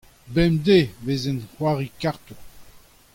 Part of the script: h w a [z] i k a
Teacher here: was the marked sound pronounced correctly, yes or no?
no